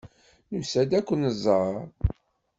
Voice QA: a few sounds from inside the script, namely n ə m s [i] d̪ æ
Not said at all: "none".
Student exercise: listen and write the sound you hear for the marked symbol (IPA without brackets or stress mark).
æ